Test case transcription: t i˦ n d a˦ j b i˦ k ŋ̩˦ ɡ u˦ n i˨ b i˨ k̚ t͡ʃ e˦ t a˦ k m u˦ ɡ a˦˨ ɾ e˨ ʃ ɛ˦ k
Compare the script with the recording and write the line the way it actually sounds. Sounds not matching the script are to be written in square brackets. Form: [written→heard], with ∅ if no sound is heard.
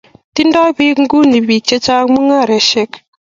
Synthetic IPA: t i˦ n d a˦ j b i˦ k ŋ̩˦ ɡ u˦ n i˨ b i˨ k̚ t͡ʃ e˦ [t→t͡ʃ] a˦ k m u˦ [ɡ→ŋ] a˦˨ ɾ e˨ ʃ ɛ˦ k